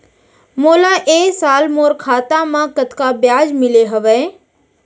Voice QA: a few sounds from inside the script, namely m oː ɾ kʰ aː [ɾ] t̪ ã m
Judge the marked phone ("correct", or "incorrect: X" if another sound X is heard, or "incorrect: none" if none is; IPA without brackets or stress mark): incorrect: none